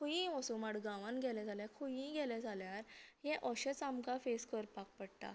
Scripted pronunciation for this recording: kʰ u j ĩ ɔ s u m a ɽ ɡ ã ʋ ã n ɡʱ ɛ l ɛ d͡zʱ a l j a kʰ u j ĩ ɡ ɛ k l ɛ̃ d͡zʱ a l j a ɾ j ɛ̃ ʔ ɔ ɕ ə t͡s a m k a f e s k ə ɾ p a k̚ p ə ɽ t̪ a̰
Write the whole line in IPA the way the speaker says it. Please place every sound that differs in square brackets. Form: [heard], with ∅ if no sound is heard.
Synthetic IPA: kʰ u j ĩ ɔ s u m a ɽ ɡ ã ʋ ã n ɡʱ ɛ l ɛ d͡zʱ a l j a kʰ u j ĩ ɡ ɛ [∅] l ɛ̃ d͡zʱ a l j a ɾ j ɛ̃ ʔ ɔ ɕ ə t͡s a m k a f e s k ə ɾ p a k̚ p ə ɽ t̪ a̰